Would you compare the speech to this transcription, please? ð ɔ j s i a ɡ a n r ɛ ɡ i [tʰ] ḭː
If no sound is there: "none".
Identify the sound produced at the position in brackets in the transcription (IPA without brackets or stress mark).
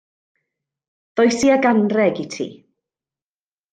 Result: tʰ